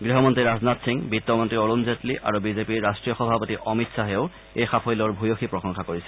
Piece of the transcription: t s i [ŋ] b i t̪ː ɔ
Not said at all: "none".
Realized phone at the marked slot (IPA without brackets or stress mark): ŋ